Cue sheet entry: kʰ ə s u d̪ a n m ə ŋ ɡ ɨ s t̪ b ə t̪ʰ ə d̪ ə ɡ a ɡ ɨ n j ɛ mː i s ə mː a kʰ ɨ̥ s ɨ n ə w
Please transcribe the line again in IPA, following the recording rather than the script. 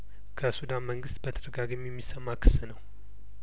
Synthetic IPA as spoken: kʰ ə s u d̪ a n m ə ŋ ɡ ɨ s t̪ b ə t̪ʰ ə d̪ ə ɡ a ɡ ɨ m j ɛ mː i s ə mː a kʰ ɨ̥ s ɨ n ə w

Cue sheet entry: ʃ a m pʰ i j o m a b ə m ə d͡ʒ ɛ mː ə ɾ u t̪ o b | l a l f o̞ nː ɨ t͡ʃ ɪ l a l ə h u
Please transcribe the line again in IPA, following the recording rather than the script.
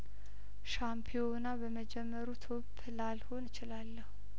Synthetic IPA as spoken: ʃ a m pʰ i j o n a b ə m ə d͡ʒ ɛ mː ə ɾ u t̪ʰ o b | l a l h o̞ n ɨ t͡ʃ ɪ l a lː ə h u

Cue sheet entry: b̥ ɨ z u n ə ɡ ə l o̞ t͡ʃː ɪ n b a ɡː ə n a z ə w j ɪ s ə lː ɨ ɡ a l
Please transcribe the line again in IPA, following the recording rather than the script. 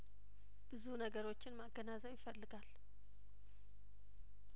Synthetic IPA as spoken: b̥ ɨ z u n ə ɡ ə ɾ o̞ t͡ʃː ɪ n m a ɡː ə n a z ə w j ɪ f ə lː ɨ ɡ a l

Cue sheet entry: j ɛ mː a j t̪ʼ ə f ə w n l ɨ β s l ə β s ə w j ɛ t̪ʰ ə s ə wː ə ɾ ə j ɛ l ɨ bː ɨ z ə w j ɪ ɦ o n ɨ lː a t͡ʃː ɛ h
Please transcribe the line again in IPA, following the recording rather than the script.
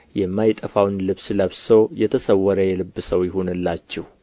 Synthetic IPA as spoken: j ɛ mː a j t̪ʼ ə f a w n l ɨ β s l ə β s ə w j ɛ t̪ʰ ə s ə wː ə ɾ ə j ɛ l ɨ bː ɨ s ə w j ɪ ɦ o n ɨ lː a t͡ʃː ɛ h

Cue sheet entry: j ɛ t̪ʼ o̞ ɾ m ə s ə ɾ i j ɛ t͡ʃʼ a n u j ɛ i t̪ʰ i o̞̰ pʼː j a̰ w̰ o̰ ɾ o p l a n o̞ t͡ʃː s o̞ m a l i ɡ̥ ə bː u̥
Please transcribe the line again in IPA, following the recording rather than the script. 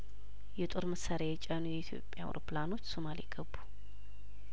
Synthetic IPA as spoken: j ɛ t̪ʼ o̞ ɾ m ə s a ɾ a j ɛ t͡ʃʼ a n u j ɛ i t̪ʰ j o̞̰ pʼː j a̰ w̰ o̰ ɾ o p l a n o̞ t͡ʃː s o̞ m a l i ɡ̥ ə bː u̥

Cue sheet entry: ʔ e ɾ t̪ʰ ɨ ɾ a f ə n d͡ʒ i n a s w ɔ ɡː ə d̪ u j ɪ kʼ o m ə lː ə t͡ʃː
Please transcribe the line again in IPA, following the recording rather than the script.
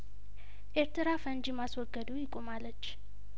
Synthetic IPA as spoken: ʔ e ɾ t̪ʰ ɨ ɾ a f ə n d͡ʒ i m a s w ɔ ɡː ə d̪ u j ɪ kʼ o m a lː ə t͡ʃː

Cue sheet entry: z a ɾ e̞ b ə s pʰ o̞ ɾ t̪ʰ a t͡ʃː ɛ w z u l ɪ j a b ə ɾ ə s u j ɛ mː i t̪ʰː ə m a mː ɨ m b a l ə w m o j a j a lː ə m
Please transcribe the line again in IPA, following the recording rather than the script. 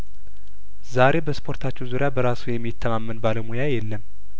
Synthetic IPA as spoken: z a ɾ e̞ b ə s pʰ o̞ ɾ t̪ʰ a t͡ʃː ɛ w z u ɾ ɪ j a b ə ɾ a s u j ɛ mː i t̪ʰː ə m a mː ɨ n b a l ə w m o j a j ɛ lː ə m

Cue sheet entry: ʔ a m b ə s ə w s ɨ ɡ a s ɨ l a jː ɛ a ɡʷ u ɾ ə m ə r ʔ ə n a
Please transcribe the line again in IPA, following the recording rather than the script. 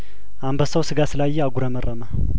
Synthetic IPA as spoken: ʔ a m b ə s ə w s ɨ ɡ a s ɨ l a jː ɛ a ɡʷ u ɾ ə m ə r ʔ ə m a

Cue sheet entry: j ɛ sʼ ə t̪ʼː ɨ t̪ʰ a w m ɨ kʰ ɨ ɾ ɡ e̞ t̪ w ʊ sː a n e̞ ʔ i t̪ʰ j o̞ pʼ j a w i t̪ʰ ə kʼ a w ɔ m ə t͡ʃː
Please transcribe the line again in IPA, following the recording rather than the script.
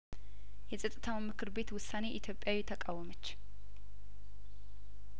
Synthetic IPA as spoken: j ɛ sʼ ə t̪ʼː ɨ t̪ʰ a w m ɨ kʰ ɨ ɾ b e̞ t̪ w ʊ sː a n e̞ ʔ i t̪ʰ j o̞ pʼ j a w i t̪ʰ ə kʼ a w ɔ m ə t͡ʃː

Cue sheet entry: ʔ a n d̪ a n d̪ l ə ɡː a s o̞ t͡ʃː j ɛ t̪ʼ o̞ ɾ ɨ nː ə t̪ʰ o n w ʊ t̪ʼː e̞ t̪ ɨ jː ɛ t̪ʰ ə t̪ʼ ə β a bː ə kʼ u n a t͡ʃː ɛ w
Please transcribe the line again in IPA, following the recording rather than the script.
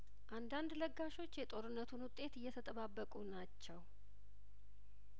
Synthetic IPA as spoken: ʔ a n d̪ a n d̪ l ə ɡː a ʃ o̞ t͡ʃː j ɛ t̪ʼ o̞ ɾ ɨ nː ə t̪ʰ u n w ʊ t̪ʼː e̞ t̪ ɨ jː ɛ t̪ʰ ə t̪ʼ ə β a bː ə kʼ u n a t͡ʃː ɛ w

